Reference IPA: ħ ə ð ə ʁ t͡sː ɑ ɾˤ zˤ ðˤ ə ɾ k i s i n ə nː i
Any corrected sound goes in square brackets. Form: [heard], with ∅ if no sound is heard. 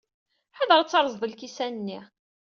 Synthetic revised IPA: ħ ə ð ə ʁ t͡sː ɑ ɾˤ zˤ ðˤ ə [l] k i s [æ] n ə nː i